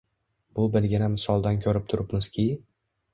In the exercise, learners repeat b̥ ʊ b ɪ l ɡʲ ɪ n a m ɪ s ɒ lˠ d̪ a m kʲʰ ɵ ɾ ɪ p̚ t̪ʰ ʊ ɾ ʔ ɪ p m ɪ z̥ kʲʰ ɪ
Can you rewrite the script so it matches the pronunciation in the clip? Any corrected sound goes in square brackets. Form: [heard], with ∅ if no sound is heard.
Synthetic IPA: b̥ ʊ b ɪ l ɡʲ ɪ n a m ɪ s ɒ lˠ d̪ a [n] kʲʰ ɵ ɾ ɪ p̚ t̪ʰ ʊ ɾ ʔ ɪ p m ɪ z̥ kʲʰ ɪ